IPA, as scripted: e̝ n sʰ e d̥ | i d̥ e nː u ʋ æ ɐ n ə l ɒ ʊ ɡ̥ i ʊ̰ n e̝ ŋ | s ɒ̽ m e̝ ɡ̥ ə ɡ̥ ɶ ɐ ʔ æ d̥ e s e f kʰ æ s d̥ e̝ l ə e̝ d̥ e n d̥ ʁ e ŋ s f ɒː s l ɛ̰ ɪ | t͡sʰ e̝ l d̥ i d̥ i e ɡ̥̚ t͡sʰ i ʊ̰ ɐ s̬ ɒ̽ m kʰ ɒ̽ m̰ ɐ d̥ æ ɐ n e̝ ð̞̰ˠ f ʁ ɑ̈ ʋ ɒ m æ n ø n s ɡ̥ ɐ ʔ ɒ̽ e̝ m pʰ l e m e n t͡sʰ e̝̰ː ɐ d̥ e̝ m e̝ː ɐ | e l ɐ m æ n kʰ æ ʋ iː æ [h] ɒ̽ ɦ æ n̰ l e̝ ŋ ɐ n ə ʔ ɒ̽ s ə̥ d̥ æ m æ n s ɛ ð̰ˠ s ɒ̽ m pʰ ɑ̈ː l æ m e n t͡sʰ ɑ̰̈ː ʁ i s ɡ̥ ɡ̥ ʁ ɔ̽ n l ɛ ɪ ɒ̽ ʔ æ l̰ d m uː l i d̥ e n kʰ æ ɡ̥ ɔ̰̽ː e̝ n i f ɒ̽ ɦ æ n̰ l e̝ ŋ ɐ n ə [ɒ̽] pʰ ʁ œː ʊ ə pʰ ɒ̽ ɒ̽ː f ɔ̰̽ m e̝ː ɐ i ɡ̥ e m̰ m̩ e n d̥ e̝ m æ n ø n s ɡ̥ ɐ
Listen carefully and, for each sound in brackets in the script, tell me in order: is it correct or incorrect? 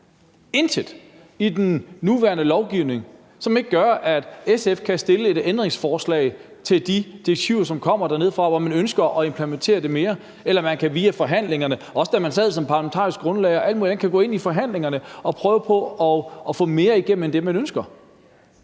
incorrect: f, correct

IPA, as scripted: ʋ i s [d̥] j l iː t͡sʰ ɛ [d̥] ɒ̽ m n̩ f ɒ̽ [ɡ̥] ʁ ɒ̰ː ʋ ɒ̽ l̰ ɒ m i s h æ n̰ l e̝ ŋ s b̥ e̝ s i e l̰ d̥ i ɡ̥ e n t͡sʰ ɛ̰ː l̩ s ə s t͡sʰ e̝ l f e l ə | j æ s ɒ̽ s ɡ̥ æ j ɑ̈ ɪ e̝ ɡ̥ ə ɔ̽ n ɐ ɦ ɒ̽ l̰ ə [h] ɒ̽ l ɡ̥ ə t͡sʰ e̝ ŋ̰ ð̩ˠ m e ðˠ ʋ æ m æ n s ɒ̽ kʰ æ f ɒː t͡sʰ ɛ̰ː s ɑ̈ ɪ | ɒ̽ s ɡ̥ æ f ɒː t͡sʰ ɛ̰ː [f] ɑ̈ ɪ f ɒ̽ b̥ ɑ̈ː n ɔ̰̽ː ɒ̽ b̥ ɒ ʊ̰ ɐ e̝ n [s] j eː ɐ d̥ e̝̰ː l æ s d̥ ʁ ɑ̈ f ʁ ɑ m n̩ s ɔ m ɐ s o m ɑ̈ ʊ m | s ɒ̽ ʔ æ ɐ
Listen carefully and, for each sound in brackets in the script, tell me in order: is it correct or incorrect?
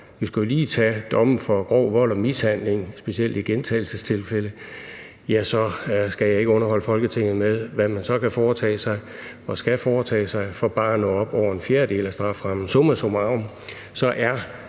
incorrect: ɡ̥, correct, correct, incorrect: f, incorrect: s, incorrect: f

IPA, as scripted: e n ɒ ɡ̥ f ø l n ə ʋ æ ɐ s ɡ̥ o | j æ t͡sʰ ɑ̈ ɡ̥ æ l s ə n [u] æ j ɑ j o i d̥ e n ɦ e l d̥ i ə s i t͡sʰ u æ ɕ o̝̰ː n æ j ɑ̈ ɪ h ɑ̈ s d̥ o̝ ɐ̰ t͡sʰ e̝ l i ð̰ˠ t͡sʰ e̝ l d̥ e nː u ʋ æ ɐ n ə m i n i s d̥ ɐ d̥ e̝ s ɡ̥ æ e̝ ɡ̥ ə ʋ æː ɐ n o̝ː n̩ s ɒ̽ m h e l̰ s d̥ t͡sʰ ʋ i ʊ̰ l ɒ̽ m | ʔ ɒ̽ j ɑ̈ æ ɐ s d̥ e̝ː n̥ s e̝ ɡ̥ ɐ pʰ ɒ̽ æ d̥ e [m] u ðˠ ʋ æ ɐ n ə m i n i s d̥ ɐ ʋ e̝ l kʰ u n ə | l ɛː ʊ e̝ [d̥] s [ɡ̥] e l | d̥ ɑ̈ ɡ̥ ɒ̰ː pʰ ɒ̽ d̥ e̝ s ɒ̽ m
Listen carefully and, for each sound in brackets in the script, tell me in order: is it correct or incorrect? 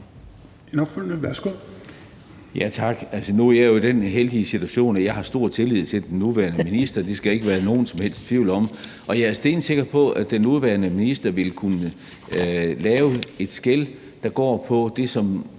correct, incorrect: n, correct, correct

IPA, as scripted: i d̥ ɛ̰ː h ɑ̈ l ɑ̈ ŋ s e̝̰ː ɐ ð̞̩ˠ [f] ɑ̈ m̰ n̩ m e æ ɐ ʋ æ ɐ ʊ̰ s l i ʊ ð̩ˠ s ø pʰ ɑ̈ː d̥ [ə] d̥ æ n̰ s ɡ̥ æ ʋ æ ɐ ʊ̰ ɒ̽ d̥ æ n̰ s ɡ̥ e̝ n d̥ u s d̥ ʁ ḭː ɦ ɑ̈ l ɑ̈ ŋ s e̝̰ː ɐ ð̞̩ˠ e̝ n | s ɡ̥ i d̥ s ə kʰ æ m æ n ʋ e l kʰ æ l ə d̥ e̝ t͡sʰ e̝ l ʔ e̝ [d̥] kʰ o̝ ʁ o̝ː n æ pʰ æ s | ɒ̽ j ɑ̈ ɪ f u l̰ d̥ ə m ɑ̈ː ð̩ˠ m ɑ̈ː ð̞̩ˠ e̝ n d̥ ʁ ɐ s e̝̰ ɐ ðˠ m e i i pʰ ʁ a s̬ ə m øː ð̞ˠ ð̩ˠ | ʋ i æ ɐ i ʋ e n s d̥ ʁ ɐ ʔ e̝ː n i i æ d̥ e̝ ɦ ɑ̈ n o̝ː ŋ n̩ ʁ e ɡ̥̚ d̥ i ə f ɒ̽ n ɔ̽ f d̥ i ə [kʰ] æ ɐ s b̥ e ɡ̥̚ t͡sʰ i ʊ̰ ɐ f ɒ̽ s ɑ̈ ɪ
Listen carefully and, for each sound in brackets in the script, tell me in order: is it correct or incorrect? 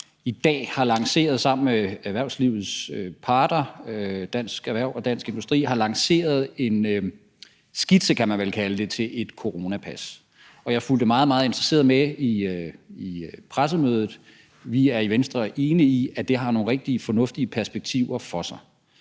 incorrect: s, incorrect: ɐ, correct, incorrect: pʰ

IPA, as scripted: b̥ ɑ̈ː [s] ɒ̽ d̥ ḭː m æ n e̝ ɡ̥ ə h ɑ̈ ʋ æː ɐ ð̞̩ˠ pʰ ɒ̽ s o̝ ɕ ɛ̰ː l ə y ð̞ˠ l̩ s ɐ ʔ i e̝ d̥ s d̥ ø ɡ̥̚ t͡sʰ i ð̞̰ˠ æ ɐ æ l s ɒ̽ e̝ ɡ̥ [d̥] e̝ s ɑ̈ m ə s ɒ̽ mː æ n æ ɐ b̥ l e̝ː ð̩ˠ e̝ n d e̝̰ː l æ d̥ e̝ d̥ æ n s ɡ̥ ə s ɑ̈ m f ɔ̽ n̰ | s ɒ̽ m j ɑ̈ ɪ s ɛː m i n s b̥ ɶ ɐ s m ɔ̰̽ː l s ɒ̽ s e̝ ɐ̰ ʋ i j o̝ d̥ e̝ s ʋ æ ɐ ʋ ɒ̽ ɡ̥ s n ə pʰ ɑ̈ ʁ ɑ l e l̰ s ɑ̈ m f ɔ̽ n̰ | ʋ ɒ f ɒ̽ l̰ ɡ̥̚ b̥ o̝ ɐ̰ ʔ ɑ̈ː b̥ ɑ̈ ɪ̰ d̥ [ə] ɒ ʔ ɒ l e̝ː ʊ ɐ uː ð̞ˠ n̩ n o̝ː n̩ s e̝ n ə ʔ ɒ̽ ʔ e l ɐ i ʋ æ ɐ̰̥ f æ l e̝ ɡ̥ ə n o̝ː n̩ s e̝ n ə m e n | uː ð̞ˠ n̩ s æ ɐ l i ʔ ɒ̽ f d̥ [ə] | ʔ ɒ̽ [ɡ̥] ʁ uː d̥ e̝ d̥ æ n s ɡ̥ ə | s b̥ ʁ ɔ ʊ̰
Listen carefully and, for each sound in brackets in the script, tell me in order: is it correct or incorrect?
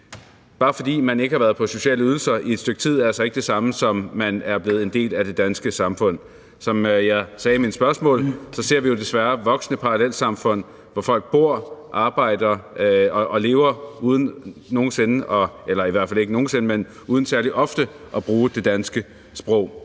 incorrect: f, correct, incorrect: ɐ, correct, incorrect: b̥

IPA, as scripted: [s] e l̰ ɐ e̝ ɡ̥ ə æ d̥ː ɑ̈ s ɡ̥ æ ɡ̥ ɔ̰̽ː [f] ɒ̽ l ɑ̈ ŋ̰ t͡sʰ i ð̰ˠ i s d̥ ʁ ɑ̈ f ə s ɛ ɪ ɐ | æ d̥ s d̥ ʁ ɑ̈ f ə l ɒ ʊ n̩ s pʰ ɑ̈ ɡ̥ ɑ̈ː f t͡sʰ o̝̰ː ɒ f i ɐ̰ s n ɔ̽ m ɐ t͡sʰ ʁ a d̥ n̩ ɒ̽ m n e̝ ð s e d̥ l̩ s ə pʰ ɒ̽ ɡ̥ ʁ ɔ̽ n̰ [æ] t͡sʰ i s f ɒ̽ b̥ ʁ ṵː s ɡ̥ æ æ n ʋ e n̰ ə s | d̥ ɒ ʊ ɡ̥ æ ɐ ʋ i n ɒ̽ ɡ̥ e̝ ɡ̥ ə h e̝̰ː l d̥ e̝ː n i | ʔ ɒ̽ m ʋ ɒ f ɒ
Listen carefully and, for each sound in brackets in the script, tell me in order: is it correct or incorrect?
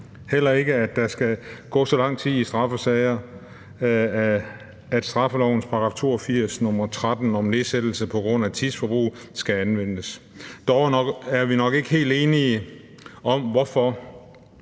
incorrect: h, incorrect: s, correct

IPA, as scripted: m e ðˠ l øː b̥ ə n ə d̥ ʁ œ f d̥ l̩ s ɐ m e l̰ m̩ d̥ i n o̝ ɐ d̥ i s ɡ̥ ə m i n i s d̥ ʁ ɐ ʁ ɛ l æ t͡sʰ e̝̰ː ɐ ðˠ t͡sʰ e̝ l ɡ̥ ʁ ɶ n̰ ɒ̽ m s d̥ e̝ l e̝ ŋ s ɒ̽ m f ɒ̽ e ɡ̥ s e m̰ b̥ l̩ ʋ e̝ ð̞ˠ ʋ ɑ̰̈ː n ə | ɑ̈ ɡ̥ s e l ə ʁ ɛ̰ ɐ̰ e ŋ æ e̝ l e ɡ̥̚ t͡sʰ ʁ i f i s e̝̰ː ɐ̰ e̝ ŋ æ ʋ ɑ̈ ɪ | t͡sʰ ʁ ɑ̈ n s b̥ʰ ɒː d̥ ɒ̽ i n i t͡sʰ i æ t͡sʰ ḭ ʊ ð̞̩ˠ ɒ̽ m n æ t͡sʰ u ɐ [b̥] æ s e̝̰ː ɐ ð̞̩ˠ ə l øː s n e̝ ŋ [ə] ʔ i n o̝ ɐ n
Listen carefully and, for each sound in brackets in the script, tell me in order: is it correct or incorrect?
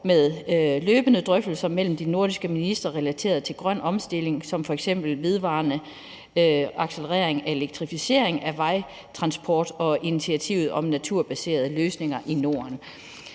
correct, incorrect: ɐ

